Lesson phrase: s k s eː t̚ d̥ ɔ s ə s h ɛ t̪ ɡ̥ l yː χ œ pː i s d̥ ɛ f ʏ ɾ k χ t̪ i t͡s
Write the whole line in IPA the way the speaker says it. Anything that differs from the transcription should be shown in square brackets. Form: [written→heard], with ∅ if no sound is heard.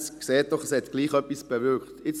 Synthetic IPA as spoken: s k s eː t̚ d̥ ɔ [s→χ] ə s h ɛ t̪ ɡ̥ l [yː→iː] χ œ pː i s [d̥→b̥] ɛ [f→v] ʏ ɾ k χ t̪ [i→ɪ] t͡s

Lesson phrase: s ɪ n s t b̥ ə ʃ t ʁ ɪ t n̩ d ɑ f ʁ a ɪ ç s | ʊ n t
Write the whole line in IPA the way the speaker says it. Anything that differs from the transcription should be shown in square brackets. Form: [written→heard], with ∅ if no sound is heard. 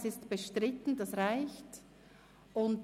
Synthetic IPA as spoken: s ɪ [n→∅] s t b̥ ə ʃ t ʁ ɪ t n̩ d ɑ [f→s] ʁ a ɪ ç [s→t] | ʊ n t

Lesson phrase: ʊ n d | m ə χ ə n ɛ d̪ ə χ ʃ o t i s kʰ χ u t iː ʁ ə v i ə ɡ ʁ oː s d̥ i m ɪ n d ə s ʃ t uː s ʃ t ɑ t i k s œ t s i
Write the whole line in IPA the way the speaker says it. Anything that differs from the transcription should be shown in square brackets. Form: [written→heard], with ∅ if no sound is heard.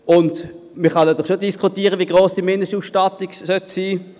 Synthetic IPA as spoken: ʊ n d | m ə χ [ə→ɑ] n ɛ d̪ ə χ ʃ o [t→d] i s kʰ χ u t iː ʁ ə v i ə ɡ ʁ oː s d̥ i m ɪ n d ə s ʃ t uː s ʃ t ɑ t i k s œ t s [i→iː]

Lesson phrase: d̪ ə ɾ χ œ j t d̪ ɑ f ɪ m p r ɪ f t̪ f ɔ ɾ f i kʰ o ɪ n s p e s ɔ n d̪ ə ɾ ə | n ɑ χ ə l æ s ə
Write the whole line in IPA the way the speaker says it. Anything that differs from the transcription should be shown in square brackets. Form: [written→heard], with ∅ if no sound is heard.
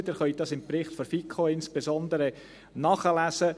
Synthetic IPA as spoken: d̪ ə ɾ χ œ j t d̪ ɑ [f→s] ɪ m p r ɪ [f→χ] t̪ f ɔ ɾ f i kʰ o ɪ n s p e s ɔ n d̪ ə ɾ ə | n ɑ χ ə l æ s ə

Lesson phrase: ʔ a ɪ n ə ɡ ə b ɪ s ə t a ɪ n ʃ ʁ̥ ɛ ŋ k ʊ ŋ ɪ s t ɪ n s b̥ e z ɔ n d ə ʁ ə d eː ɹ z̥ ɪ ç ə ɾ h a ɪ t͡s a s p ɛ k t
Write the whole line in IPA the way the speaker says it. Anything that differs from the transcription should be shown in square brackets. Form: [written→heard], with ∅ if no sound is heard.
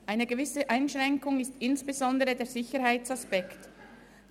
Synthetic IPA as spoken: ʔ a ɪ n ə ɡ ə [b→v] ɪ s ə [t→ʔ] a ɪ n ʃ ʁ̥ ɛ ŋ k ʊ ŋ ɪ s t ɪ n s b̥ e z ɔ n d ə ʁ ə d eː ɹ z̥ ɪ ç ə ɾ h a ɪ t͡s a s p ɛ k t

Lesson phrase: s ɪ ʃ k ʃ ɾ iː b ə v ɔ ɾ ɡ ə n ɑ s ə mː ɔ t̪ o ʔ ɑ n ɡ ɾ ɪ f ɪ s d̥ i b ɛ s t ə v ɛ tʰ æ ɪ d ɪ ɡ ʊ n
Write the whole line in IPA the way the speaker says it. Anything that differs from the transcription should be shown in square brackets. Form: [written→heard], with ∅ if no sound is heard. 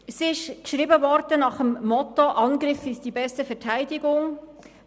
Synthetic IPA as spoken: s ɪ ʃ k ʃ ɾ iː b ə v ɔ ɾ [ɡ→d] ə n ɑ [s→χ] ə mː ɔ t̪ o ʔ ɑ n ɡ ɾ ɪ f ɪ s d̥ i b ɛ s t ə [v→f] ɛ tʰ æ ɪ d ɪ ɡ ʊ [n→ŋ]

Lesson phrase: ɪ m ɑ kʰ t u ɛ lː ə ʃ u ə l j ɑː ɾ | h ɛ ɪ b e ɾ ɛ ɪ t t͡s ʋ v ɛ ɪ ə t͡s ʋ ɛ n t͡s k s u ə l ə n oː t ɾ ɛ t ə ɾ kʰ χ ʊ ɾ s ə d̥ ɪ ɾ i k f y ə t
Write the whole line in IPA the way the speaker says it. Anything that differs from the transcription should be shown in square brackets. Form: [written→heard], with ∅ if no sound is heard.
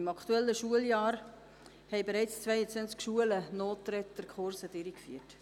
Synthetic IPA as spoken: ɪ m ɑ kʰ t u ɛ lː ə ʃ u ə l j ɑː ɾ | h ɛ ɪ b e ɾ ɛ ɪ [t→t͡s] t͡s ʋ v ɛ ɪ ə t͡s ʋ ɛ n t͡s k [s→ʃ] u ə l ə n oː t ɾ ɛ t ə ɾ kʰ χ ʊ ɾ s ə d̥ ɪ ɾ i k f y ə t

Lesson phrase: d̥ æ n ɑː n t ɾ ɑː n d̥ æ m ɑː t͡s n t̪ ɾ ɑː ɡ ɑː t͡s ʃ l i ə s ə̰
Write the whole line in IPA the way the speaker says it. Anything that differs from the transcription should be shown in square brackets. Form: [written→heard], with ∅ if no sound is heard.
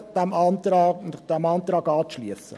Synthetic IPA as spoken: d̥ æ [n→m] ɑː n t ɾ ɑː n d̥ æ m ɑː [t͡s→∅] n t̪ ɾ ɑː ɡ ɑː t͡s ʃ l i ə s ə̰

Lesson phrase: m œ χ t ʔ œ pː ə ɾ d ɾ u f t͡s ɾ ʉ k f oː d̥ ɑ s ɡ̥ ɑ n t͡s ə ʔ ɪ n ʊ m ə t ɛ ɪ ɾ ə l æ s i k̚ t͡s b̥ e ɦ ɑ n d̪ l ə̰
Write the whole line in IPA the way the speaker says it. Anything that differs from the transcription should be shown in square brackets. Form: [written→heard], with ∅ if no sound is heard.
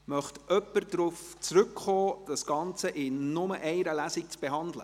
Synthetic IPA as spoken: m œ χ t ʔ œ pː ə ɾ d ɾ u f t͡s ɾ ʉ k [f→χ] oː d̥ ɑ s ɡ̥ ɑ n t͡s ə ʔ ɪ n ʊ m ə [t→ʔ] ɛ ɪ ɾ ə l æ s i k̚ t͡s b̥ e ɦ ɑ n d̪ l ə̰

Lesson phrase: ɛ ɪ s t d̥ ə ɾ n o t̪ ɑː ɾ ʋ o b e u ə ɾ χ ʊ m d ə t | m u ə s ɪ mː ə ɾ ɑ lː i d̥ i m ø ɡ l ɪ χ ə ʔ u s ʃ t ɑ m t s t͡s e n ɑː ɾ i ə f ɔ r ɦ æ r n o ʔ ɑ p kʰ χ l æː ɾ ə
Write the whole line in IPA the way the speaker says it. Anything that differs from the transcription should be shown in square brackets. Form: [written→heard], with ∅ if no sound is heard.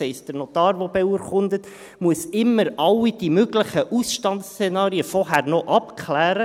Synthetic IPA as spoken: ɛ ɪ s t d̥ ə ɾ n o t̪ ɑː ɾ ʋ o b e u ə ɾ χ ʊ [m→n] d ə t | m u ə s ɪ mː ə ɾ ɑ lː i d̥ i m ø ɡ l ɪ χ ə ʔ u s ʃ t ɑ [m→n] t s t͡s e n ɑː ɾ i ə f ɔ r ɦ æ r n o ʔ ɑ p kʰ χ l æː ɾ ə

